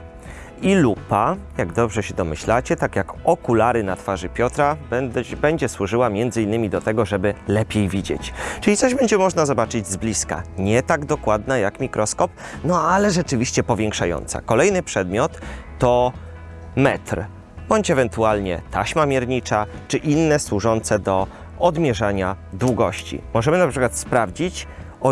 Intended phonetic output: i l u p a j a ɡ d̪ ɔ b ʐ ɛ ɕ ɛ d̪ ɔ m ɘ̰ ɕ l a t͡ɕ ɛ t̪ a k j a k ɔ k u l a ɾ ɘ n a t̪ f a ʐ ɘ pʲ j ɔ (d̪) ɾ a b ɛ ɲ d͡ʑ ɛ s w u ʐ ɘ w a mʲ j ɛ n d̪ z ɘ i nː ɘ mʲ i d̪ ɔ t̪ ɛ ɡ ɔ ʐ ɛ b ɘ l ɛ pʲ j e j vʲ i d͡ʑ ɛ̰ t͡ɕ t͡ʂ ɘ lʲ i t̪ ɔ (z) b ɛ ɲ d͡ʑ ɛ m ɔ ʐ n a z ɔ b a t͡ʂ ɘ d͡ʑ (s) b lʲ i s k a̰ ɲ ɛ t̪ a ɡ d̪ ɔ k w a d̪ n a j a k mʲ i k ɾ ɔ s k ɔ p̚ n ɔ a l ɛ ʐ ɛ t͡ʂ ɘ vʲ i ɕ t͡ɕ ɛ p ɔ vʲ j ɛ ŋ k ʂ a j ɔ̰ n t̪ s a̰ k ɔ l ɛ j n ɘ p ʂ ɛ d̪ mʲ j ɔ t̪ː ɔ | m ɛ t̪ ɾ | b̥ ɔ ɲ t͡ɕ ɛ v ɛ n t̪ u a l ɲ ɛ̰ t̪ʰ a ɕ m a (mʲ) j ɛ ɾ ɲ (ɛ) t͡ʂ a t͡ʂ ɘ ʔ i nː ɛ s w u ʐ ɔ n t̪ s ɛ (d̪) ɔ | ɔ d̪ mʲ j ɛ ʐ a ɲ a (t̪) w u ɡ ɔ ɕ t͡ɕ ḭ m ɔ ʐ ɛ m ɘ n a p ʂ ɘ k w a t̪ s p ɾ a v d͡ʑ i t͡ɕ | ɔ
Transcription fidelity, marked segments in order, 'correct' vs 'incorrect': incorrect, incorrect, incorrect, correct, incorrect, correct, incorrect

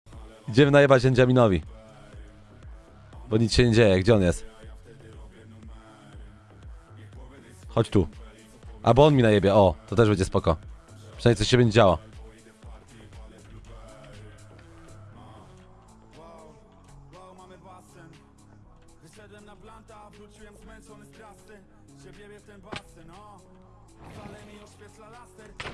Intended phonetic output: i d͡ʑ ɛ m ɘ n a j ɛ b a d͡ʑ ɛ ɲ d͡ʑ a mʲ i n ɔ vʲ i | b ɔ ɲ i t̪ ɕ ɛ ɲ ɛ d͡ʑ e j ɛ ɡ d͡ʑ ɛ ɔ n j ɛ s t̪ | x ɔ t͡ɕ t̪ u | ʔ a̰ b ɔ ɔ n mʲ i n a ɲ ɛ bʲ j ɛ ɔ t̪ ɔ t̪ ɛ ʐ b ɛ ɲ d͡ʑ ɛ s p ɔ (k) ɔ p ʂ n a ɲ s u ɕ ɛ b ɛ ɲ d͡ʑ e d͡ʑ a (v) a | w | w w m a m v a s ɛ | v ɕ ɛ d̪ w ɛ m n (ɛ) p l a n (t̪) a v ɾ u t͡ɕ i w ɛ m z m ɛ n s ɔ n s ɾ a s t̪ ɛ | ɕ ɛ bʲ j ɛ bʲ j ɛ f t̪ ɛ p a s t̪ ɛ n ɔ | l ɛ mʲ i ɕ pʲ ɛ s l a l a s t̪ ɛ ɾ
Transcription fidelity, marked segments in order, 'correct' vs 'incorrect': correct, incorrect, incorrect, correct

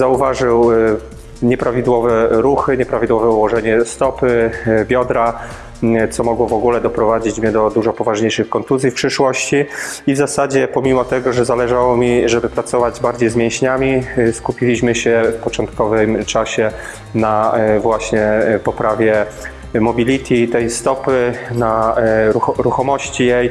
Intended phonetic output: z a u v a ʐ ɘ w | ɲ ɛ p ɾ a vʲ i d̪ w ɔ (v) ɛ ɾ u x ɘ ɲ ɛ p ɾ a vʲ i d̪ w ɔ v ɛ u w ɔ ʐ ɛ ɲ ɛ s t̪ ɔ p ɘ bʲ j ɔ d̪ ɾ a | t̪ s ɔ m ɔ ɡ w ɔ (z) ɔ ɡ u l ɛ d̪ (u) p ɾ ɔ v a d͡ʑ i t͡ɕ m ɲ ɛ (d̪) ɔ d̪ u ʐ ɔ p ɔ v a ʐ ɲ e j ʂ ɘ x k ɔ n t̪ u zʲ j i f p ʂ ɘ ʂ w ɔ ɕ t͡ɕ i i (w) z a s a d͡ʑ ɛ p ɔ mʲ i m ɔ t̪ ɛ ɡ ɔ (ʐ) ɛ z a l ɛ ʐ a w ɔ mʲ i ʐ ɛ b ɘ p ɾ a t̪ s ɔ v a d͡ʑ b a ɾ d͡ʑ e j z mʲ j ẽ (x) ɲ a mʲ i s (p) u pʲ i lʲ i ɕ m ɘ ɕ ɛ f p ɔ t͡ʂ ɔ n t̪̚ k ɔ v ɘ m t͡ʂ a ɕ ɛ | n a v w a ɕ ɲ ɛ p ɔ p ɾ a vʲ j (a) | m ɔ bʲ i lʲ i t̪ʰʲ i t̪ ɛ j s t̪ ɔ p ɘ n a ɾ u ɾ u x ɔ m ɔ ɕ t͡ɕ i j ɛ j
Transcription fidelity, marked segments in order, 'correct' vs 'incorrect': correct, incorrect, incorrect, correct, incorrect, correct, incorrect, incorrect, incorrect

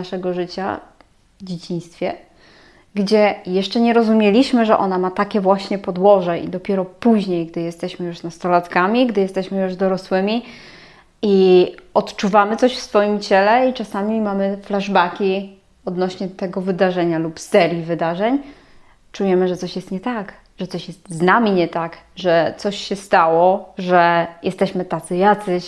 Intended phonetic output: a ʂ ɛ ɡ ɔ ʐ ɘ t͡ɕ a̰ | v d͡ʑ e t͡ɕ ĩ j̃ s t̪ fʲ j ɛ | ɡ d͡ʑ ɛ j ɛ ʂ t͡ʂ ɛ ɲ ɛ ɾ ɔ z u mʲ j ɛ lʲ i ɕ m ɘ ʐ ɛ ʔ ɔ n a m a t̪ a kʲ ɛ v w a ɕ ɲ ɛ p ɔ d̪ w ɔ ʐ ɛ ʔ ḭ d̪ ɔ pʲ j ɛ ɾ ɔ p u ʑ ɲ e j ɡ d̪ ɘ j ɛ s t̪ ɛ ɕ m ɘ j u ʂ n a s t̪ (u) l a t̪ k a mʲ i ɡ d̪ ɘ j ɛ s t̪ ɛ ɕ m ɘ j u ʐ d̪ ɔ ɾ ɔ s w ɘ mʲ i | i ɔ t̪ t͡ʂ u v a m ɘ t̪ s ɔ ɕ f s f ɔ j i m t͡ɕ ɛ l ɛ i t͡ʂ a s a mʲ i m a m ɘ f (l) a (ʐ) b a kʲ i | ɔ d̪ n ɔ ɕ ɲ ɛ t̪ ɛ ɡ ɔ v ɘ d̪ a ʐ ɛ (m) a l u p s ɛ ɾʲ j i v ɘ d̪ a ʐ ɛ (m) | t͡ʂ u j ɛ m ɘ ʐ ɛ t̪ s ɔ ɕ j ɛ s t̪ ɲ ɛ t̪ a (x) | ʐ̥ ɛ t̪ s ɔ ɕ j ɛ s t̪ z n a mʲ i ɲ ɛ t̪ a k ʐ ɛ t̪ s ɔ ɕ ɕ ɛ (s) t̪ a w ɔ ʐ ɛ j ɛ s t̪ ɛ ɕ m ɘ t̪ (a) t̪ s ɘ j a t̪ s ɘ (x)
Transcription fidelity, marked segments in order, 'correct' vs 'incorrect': incorrect, correct, correct, incorrect, incorrect, incorrect, correct, correct, incorrect

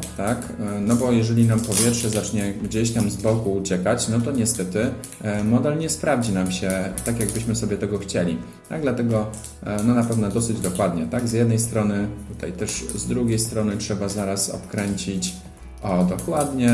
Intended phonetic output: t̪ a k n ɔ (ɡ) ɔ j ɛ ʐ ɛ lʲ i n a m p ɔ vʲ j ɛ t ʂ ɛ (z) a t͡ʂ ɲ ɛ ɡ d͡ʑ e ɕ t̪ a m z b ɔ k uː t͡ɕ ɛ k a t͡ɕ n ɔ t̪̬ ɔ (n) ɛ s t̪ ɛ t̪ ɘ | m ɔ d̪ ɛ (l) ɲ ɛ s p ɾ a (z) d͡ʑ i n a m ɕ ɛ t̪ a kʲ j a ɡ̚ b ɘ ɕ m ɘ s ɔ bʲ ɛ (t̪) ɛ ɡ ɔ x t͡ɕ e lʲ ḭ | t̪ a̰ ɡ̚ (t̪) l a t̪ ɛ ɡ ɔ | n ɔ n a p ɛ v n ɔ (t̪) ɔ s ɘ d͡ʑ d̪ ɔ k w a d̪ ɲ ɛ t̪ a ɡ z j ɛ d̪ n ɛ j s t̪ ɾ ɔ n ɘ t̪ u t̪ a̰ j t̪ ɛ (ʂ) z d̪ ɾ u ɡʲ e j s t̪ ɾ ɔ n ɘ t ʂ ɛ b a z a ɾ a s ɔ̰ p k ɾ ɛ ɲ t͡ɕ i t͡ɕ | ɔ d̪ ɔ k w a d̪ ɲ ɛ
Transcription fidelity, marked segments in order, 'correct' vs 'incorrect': incorrect, correct, incorrect, correct, incorrect, correct, incorrect, incorrect, correct

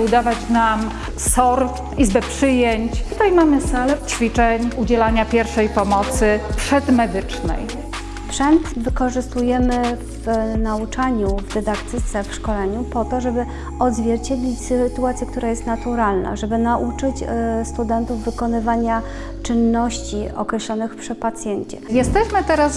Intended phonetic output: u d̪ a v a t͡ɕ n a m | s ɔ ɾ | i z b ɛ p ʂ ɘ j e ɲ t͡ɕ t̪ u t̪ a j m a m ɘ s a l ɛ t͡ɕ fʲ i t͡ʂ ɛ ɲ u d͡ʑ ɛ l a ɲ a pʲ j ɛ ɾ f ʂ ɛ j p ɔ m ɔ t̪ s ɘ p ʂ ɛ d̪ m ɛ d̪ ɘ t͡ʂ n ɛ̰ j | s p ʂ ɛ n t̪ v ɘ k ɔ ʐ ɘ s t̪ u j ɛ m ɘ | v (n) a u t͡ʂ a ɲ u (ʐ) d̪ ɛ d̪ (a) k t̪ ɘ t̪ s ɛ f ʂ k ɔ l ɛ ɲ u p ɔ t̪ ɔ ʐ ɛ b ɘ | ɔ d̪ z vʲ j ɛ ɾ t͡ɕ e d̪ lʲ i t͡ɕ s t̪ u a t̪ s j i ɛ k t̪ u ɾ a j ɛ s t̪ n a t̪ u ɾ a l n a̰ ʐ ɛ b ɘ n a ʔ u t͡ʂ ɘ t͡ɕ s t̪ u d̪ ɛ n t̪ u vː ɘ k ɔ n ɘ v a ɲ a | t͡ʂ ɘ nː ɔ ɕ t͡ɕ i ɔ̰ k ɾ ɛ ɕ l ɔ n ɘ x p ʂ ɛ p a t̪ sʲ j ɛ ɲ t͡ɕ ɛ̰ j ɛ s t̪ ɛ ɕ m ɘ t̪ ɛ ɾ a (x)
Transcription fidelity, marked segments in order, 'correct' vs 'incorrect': correct, incorrect, correct, incorrect

